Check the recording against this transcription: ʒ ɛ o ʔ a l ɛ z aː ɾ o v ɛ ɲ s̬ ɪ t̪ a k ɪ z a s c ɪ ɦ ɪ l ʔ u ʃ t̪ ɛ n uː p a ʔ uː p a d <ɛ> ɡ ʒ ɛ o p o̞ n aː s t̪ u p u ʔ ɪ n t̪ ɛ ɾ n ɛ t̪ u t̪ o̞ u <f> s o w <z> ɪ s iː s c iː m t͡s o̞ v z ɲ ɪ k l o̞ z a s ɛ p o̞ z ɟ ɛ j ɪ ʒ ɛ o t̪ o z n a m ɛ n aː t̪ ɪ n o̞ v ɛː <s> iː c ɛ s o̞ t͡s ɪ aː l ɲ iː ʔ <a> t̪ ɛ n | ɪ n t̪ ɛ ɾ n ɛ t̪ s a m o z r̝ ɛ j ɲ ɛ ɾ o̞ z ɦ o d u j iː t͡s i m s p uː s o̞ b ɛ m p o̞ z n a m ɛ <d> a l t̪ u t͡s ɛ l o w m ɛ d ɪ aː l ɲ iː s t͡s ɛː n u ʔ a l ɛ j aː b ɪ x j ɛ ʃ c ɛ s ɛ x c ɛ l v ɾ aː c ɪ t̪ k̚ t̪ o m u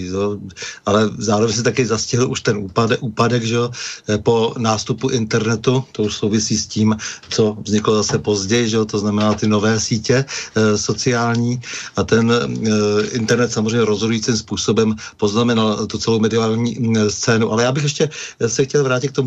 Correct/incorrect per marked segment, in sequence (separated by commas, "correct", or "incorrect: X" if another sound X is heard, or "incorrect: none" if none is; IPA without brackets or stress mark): correct, incorrect: ʃ, incorrect: v, correct, correct, incorrect: n